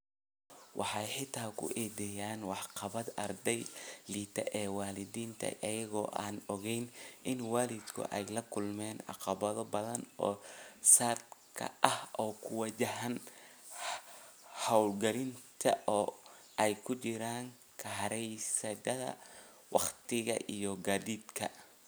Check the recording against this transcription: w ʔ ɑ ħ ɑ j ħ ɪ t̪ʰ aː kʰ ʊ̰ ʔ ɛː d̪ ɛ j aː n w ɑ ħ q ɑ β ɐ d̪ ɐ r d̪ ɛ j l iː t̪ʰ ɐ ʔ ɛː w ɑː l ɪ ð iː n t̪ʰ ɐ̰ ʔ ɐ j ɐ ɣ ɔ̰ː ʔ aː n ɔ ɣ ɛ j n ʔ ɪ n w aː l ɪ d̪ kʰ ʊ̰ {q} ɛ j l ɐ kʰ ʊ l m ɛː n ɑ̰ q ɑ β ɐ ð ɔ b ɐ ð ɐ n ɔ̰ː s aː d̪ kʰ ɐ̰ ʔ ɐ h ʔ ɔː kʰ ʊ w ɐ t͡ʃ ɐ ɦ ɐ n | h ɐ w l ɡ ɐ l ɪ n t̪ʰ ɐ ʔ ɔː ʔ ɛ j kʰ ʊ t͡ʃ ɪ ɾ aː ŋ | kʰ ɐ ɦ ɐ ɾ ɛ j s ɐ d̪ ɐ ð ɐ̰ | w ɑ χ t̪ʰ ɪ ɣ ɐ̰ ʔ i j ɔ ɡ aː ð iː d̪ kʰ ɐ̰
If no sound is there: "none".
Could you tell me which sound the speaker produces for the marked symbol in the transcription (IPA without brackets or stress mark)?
ʔ